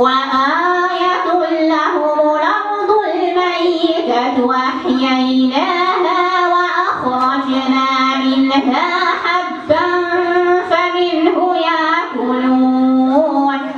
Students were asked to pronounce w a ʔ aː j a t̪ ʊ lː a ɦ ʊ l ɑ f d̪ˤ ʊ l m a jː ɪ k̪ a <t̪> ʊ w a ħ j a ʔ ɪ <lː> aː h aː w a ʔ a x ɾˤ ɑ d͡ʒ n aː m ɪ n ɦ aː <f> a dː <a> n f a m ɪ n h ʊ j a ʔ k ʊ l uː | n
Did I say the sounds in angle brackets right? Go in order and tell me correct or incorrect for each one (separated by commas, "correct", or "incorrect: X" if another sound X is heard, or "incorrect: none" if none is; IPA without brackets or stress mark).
correct, incorrect: l, incorrect: ħ, correct